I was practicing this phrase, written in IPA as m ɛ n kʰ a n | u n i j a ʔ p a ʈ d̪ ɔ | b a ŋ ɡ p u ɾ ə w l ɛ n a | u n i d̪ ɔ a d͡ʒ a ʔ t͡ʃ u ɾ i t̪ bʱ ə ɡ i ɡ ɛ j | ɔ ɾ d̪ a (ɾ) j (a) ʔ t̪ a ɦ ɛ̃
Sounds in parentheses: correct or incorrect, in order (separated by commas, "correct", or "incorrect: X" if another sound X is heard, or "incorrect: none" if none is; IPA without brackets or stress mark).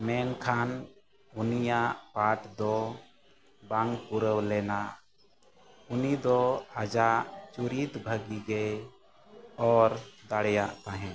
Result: incorrect: ɽ, correct